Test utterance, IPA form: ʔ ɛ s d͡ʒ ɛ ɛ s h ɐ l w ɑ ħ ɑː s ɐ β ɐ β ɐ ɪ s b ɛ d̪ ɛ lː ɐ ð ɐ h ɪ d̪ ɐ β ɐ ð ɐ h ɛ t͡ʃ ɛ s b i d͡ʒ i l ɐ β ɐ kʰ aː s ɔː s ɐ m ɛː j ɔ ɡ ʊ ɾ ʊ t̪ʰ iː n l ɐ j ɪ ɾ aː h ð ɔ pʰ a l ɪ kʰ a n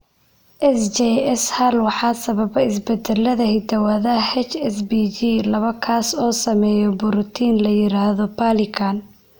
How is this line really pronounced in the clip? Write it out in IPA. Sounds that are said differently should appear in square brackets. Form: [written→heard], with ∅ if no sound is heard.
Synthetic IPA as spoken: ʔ ɛ s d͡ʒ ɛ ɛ s h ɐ l w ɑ ħ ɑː s ɐ β ɐ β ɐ ɪ s b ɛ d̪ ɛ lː ɐ ð ɐ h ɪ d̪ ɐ [β→w] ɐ ð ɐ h ɛ t͡ʃ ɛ s b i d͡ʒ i l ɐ β ɐ kʰ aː s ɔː s ɐ m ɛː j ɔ [ɡ→b] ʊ ɾ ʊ t̪ʰ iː n l ɐ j ɪ ɾ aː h ð ɔ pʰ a l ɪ kʰ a n